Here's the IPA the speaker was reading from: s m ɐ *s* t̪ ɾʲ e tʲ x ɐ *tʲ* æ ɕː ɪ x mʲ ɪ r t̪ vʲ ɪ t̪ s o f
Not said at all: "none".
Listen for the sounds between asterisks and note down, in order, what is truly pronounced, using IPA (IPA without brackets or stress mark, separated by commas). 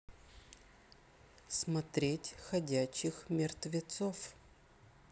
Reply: none, dʲ